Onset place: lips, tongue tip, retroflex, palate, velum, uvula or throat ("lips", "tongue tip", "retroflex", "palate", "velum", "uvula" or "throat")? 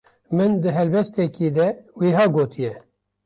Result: lips